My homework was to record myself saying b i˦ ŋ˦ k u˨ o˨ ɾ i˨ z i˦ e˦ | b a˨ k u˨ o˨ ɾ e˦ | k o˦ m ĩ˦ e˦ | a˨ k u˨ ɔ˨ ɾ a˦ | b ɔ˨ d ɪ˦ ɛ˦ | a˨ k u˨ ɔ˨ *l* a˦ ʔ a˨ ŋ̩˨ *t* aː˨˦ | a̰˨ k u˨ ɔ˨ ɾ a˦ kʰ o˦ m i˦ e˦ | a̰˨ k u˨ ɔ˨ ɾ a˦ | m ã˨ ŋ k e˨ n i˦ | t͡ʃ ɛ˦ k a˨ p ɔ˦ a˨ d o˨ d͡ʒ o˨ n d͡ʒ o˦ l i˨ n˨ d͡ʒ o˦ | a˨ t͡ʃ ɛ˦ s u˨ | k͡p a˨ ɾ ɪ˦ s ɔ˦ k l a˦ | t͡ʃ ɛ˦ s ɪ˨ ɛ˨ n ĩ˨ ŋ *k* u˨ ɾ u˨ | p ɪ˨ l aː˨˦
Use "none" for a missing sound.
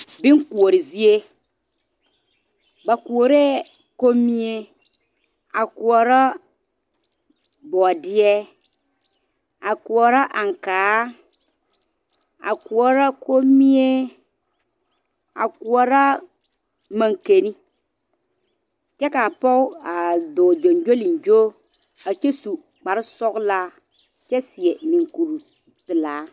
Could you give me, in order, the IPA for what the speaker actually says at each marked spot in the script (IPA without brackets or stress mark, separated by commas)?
ɾ, k, k